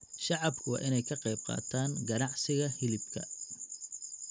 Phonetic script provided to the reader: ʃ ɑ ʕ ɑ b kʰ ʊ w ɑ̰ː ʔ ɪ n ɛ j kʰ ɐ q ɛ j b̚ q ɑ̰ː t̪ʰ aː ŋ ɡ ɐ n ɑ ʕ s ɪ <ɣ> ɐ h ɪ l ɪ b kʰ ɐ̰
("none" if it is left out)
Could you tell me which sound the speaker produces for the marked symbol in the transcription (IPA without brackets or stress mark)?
ɣ